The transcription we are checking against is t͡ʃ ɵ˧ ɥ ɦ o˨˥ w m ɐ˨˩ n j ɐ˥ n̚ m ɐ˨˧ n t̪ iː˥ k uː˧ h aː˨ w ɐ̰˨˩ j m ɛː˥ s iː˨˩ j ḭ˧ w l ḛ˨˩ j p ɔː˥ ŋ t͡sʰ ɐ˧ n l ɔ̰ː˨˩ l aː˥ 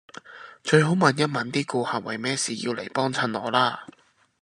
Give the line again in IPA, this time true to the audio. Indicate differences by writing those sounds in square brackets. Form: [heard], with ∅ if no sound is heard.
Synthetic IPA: t͡ʃ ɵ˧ ɥ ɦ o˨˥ w m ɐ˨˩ n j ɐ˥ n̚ m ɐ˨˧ n t̪ iː˥ k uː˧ h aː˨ w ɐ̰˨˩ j m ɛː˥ s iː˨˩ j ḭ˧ w l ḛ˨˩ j p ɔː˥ ŋ t͡sʰ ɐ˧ n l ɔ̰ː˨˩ l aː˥